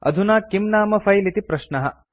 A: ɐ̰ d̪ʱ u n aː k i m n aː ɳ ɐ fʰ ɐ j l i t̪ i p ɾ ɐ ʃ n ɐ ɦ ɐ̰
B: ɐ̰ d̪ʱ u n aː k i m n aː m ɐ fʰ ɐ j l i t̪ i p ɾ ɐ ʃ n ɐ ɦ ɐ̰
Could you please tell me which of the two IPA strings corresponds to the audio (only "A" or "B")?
B